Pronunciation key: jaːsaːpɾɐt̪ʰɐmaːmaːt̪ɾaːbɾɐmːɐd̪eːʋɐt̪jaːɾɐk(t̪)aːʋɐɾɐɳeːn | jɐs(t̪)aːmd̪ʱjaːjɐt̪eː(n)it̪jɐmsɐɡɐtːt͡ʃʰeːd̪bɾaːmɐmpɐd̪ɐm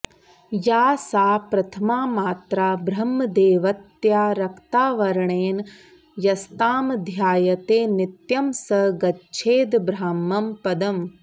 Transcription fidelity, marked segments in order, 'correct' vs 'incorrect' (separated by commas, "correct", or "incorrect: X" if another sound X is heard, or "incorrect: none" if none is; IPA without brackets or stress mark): correct, correct, correct